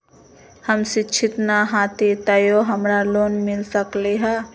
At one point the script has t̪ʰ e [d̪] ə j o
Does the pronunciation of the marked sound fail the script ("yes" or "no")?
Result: yes